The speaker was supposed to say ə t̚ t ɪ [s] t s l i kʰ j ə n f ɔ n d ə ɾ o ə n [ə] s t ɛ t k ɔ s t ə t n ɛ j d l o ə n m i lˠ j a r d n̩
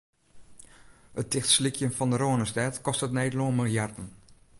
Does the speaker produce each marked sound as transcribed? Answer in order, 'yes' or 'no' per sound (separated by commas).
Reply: no, yes